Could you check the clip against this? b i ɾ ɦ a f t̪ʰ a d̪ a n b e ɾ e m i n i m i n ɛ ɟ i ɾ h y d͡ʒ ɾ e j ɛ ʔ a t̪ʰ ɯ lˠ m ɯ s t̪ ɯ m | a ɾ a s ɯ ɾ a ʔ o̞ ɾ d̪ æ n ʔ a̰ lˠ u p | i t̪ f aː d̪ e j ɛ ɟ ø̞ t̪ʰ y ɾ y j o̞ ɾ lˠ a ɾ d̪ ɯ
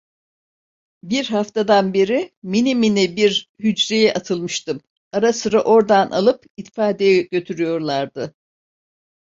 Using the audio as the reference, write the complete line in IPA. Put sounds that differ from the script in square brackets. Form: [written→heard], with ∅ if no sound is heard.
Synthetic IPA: b i ɾ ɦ a f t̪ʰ a d̪ a n b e ɾ [e→i] m i n i m i n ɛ [ɟ→b] i ɾ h y d͡ʒ ɾ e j ɛ ʔ a t̪ʰ ɯ lˠ m ɯ [s→ʃ] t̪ ɯ m | a ɾ a s ɯ ɾ a ʔ o̞ ɾ d̪ [æ→a] n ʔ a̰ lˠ [u→ɯ] p | i t̪ f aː d̪ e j ɛ ɟ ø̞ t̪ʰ y ɾ y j o̞ ɾ lˠ a ɾ d̪ ɯ